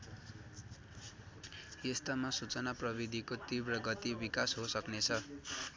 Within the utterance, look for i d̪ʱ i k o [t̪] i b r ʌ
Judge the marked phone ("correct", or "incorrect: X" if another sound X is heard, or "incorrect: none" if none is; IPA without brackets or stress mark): correct